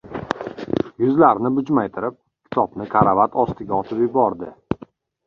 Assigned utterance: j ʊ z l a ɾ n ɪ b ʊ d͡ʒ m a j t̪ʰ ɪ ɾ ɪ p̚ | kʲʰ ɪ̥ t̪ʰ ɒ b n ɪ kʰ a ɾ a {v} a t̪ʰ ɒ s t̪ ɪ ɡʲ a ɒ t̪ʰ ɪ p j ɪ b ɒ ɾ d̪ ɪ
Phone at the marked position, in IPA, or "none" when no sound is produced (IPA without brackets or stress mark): v